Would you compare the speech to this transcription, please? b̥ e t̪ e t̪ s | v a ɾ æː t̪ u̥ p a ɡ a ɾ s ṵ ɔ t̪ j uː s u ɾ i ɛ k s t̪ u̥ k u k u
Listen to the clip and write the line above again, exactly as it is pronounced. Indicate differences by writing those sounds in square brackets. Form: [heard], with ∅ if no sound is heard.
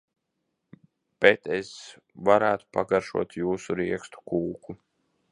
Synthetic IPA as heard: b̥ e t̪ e [∅] s | v a ɾ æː t̪ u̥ p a ɡ a ɾ [ʃ] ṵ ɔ t̪ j uː s u ɾ i ɛ k s t̪ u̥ k [uː] k u